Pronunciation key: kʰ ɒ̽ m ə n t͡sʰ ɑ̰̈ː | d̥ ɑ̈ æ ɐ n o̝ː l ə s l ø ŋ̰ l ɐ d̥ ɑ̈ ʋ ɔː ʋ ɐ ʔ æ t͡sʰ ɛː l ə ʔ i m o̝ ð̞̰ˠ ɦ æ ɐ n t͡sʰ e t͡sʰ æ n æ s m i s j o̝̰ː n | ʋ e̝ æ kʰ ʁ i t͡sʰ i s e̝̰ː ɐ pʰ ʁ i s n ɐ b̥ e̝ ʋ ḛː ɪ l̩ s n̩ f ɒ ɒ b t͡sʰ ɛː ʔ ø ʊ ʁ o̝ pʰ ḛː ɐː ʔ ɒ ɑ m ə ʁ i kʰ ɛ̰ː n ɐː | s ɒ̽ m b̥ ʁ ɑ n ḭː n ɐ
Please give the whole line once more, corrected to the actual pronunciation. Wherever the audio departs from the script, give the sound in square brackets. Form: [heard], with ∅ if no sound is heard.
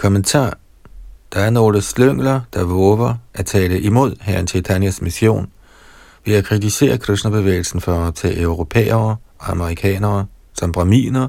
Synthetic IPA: kʰ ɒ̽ m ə n t͡sʰ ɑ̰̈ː | d̥ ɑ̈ æ ɐ n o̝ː l ə s l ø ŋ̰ l ɐ d̥ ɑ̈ ʋ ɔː ʋ ɐ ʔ æ t͡sʰ ɛː l ə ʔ i m o̝ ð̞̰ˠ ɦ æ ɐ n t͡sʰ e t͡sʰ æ n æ s m i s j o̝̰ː n | ʋ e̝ æ kʰ ʁ i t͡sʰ i s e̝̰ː ɐ [kʰ] ʁ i s n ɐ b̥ e̝ ʋ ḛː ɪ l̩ s n̩ f ɒ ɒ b t͡sʰ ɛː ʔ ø ʊ ʁ o̝ pʰ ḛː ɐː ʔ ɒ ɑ m ə ʁ i kʰ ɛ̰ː n ɐː | s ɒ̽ m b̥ ʁ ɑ [m] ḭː n ɐ